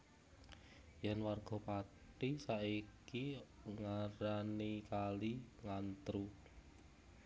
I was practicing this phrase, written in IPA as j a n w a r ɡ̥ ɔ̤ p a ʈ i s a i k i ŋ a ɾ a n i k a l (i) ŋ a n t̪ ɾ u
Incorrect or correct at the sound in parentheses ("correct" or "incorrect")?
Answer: correct